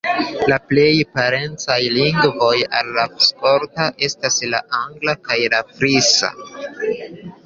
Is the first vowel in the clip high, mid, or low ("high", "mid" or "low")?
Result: low